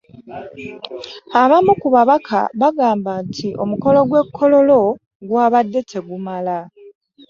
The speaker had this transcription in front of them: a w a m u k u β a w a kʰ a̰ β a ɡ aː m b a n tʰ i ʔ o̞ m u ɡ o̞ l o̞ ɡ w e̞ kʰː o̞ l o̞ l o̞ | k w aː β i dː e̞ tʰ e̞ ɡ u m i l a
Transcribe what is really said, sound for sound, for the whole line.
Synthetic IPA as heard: a β a m u k u β a β a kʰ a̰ β a ɡ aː m b a n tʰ i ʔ o̞ m u k o̞ l o̞ ɡ w e̞ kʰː o̞ l o̞ l o̞ | ɡ w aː β a dː e̞ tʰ e̞ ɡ u m a l a

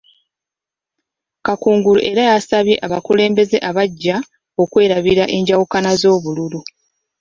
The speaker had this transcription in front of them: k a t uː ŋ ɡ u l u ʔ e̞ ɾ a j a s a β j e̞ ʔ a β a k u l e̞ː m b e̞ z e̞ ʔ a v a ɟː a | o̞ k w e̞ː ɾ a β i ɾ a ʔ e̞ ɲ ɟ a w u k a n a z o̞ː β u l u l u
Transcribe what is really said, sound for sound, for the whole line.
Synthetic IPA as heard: k a k uː ŋ ɡ u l u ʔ e̞ ɾ a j a s a β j e̞ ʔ a β a k u l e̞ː m b e̞ z e̞ ʔ a β a ɟː a | o̞ k w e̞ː ɾ a β i ɾ a ʔ e̞ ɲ ɟ a w u k a n a z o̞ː β u l u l u

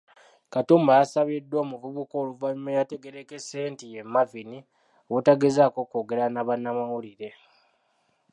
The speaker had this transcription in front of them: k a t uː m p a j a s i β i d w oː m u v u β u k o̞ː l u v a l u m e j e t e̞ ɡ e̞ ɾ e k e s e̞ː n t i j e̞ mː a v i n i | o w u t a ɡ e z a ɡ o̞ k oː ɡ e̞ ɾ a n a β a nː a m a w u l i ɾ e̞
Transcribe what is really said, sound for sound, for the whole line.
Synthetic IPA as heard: k a t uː m b a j a s a β i d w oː m u v u β u k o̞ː l u v a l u m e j a t e̞ ɡ e̞ ɾ e k e s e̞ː n t i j e̞ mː a v i n i | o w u t a ɡ e z a k o̞ k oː ɡ e̞ ɾ a n a β a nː a m a w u l i ɾ e̞

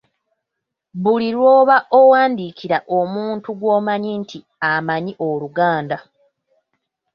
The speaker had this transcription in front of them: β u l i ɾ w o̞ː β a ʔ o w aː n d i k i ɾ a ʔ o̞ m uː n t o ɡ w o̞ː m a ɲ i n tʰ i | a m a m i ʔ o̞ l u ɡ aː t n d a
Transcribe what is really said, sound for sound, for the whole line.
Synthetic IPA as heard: β u l i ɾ w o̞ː β a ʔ o w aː n d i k i ɾ a ʔ o̞ m uː n t u ɡ w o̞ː m a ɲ i n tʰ i | a m a ɲ i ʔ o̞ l u ɡ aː n d a

